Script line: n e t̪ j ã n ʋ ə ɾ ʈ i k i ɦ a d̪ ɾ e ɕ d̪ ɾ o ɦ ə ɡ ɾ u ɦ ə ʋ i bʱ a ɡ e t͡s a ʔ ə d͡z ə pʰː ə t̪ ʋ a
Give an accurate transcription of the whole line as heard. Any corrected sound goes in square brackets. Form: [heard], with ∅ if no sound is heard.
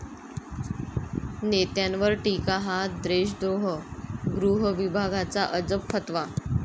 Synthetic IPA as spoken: n e t̪ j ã n ʋ ə ɾ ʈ i k [a] ɦ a d̪ ɾ e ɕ d̪ ɾ o ɦ ə ɡ ɾ u ɦ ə ʋ i bʱ a ɡ [a] t͡s a ʔ ə d͡z ə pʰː ə t̪ ʋ a